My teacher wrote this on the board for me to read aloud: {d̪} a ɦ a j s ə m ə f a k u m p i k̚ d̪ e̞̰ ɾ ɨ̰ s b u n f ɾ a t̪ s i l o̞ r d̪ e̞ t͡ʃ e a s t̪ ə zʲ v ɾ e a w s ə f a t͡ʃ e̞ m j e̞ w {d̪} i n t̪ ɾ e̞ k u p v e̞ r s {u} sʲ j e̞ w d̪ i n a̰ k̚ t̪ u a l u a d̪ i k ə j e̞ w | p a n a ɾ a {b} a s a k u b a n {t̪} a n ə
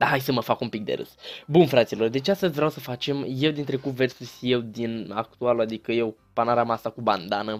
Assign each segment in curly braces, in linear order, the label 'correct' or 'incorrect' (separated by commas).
correct, correct, correct, incorrect, incorrect